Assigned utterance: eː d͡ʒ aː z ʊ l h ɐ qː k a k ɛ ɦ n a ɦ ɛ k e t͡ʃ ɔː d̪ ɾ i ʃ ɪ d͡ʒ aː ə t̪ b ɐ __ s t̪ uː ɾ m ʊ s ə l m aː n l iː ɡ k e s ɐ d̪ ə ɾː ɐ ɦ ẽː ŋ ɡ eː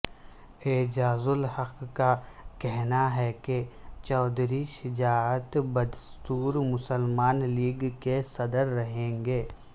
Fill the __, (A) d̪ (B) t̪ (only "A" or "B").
A